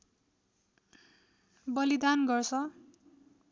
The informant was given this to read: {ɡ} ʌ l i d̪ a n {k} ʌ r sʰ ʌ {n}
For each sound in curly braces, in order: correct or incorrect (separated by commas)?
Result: incorrect, incorrect, incorrect